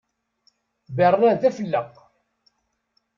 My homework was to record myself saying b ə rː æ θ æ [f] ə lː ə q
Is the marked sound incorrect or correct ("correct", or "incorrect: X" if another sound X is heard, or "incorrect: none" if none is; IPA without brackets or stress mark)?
correct